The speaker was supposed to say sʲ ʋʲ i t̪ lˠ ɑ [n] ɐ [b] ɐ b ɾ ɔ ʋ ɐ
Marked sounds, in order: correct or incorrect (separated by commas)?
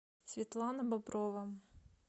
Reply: correct, correct